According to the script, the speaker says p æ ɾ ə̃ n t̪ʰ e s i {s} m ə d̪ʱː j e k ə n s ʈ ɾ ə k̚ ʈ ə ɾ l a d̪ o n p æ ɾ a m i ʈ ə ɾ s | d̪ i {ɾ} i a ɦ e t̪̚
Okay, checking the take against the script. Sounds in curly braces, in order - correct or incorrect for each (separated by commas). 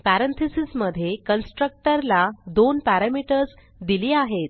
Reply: correct, incorrect